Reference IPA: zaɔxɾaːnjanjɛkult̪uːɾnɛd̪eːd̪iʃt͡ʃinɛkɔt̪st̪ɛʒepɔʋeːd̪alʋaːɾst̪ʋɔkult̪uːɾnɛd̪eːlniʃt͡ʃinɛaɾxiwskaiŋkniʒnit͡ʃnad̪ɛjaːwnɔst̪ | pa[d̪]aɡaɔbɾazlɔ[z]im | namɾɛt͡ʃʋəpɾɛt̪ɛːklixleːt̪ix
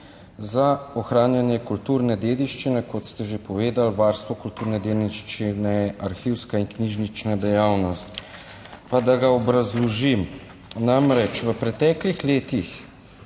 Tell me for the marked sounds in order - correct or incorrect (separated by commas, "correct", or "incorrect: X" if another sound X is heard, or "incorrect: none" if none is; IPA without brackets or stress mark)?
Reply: correct, incorrect: ʒ